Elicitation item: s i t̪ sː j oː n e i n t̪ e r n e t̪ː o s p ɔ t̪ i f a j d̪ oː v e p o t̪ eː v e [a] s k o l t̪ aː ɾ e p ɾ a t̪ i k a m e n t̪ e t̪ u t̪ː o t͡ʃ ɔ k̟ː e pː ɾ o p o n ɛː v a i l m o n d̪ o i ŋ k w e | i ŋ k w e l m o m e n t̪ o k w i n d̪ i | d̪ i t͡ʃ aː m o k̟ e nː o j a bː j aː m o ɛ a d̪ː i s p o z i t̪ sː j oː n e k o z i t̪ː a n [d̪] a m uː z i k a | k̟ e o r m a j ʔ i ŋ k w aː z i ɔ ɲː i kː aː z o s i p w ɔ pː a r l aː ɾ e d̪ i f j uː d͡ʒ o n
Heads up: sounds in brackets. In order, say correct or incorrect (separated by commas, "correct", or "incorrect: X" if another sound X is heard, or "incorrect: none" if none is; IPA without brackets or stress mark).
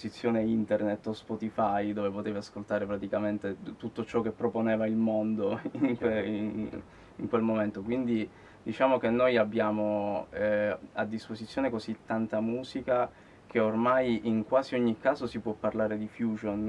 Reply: correct, incorrect: t̪